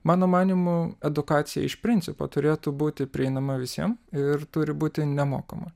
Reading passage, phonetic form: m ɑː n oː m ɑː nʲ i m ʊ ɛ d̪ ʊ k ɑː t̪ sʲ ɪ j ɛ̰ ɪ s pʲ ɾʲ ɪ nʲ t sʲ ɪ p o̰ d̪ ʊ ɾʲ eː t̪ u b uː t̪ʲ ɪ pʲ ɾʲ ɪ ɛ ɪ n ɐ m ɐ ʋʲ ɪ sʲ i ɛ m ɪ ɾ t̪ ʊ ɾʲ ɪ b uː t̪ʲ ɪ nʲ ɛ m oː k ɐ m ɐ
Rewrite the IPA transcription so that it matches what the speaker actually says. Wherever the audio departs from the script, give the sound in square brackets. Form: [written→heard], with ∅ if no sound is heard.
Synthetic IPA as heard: m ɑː n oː m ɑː nʲ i m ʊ ɛ d̪ ʊ k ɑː t̪ sʲ ɪ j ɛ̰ ɪ [s→ʃ] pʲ ɾʲ ɪ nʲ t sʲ ɪ p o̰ [d̪→t̪] ʊ ɾʲ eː t̪ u b uː t̪ʲ ɪ pʲ ɾʲ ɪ ɛ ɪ n ɐ m ɐ ʋʲ ɪ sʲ i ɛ m ɪ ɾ t̪ ʊ ɾʲ ɪ b uː t̪ʲ ɪ nʲ ɛ m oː k ɐ m ɐ